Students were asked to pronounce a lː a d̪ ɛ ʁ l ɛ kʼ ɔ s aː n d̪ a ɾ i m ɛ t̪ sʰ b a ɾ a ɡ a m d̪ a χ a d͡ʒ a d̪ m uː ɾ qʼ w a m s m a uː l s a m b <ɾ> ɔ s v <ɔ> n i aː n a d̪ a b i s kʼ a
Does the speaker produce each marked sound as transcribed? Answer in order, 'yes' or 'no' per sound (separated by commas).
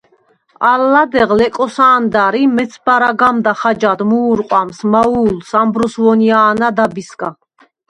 yes, yes